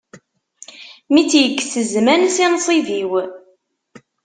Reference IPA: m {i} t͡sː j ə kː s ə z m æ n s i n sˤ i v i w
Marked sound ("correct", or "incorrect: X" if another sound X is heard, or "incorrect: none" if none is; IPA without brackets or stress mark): correct